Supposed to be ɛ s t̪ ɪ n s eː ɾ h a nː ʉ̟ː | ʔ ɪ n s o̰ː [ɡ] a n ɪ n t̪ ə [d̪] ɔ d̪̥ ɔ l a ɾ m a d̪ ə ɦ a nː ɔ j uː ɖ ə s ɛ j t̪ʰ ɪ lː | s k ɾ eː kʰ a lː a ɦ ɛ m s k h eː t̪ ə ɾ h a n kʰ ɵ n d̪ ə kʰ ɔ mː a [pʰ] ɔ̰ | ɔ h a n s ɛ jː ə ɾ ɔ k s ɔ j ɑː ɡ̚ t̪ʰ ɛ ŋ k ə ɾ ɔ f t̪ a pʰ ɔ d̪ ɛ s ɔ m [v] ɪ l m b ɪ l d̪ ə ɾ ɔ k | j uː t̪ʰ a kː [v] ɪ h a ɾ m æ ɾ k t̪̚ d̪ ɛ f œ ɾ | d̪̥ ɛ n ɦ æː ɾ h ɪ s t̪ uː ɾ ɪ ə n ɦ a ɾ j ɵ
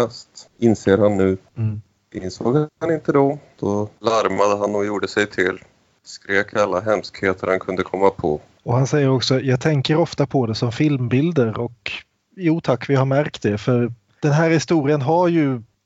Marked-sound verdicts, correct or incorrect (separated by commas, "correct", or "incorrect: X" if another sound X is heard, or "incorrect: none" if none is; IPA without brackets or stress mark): correct, correct, correct, incorrect: f, correct